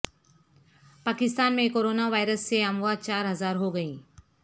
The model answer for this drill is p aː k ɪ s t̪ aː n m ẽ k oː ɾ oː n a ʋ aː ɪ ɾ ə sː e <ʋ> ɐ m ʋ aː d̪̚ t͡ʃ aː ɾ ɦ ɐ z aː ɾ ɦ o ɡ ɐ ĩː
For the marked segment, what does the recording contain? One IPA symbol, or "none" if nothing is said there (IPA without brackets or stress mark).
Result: none